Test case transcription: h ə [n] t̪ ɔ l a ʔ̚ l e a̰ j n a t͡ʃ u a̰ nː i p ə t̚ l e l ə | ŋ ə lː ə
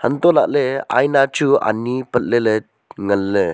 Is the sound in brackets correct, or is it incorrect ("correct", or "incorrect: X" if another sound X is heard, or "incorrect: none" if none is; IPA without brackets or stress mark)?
correct